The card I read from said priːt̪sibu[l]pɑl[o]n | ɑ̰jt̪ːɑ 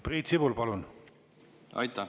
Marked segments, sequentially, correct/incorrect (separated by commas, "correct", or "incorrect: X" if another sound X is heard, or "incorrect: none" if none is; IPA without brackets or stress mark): correct, incorrect: u